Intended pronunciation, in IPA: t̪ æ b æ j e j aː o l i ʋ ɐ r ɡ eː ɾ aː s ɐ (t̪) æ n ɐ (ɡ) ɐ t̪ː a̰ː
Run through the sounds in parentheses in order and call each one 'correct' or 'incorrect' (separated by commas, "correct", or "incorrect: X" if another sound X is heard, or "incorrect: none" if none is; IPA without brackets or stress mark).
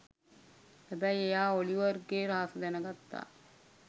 incorrect: d̪, correct